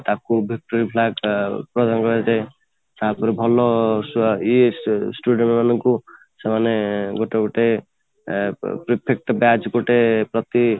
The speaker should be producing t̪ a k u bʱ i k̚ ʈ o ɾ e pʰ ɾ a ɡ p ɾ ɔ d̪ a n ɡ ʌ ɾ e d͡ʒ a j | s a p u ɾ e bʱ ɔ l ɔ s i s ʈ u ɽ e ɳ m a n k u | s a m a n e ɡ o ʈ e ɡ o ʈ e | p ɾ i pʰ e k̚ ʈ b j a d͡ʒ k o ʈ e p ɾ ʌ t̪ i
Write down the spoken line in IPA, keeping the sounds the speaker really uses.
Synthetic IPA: t̪ a k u bʱ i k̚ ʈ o ɾ i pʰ l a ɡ p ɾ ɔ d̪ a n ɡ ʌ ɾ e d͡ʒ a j | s a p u ɾ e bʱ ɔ l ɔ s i s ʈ u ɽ e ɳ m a n k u | s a m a n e ɡ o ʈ e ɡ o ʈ e | p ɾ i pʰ e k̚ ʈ b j a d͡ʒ ɡ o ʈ e p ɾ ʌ t̪ i